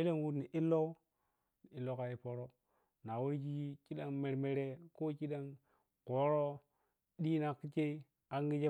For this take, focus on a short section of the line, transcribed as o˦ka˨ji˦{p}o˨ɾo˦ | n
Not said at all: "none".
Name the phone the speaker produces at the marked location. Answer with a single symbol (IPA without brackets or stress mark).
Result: p